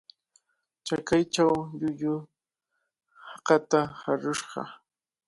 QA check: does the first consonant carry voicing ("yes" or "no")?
no